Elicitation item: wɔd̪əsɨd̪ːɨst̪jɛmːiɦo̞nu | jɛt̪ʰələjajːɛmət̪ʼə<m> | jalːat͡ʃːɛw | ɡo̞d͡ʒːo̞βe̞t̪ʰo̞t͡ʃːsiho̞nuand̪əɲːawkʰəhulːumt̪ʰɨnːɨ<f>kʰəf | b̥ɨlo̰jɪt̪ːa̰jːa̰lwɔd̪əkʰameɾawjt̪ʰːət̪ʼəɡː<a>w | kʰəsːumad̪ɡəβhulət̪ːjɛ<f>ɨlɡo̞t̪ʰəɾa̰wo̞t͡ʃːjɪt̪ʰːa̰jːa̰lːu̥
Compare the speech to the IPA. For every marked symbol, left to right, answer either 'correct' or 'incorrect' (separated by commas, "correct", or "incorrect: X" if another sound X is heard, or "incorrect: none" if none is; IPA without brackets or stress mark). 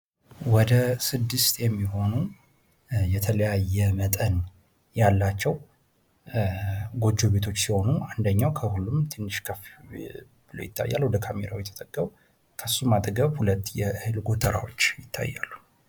incorrect: n, incorrect: ʃ, incorrect: ə, incorrect: h